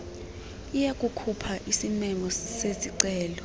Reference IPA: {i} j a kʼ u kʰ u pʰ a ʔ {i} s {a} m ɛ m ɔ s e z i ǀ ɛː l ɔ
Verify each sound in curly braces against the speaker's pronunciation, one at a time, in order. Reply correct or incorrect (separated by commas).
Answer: correct, correct, incorrect